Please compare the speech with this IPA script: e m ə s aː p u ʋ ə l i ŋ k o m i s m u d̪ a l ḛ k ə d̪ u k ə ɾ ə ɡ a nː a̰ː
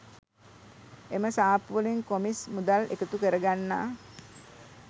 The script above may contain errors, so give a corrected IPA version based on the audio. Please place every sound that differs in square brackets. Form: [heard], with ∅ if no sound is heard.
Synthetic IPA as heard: e m ə s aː p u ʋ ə l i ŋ k o m i s m u d̪ a l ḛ k ə [t̪] u k ə ɾ ə ɡ a nː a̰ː

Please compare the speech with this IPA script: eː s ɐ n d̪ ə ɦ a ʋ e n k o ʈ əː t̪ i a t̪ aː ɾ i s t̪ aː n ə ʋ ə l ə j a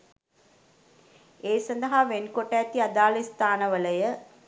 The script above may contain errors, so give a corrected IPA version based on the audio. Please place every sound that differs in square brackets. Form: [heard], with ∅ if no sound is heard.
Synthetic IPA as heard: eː s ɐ n d̪ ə ɦ a ʋ e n k o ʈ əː t̪ i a [d̪] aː [l] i s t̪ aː n ə ʋ ə l ə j [ə]

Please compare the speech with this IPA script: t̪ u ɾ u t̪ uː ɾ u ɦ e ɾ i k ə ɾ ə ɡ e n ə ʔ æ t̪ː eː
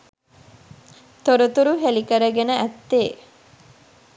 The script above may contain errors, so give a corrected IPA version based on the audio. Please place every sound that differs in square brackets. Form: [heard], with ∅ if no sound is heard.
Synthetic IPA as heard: t̪ [o] ɾ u t̪ [u] ɾ u ɦ e [l] i k ə ɾ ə ɡ e n ə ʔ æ t̪ː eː

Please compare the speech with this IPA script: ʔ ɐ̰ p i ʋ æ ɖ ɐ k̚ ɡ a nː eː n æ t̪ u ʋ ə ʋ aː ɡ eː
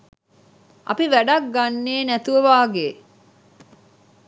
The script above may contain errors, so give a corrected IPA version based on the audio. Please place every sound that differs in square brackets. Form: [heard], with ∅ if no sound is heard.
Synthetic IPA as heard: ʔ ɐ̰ p i ʋ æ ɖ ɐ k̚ ɡ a nː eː n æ t̪ u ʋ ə ʋ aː ɡ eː

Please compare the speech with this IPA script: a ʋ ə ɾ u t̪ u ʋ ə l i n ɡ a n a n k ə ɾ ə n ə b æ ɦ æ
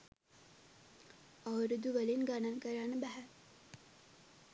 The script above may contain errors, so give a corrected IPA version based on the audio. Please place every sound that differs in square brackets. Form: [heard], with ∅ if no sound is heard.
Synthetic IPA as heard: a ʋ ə ɾ u [d̪] u ʋ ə l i n ɡ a n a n k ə ɾ [a] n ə b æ ɦ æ

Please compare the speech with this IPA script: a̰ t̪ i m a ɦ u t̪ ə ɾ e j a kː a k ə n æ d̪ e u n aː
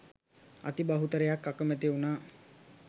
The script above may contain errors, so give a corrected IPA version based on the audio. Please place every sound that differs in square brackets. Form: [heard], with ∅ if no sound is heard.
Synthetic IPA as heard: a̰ t̪ i [b] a ɦ u t̪ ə ɾ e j a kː a k ə [m] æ [t̪] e u n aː

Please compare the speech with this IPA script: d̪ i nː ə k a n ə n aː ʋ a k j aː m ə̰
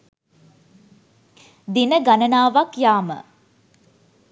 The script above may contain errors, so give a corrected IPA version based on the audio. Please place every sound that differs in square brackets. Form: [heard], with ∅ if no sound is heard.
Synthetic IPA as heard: d̪ i [n] ə [ɡ] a n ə n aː ʋ a k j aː m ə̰

